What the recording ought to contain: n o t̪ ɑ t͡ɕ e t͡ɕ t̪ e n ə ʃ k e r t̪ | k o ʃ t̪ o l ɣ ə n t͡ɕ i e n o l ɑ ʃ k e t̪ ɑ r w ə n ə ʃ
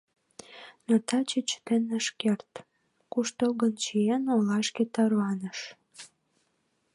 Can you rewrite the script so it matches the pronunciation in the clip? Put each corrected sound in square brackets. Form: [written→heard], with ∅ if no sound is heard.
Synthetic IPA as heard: n o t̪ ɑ t͡ɕ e t͡ɕ t̪ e n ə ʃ k e r t̪ | k [o→u] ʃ t̪ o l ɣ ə n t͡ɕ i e n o l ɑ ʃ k e t̪ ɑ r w [ə→ɑ] n ə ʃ